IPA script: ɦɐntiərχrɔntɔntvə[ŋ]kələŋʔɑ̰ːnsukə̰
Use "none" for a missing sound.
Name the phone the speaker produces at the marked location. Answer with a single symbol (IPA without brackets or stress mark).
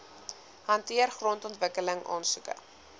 none